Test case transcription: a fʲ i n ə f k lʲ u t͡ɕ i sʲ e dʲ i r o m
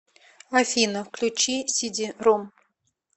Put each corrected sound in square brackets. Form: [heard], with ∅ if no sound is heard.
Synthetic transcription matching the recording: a fʲ i n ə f k lʲ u t͡ɕ i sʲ [i] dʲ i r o m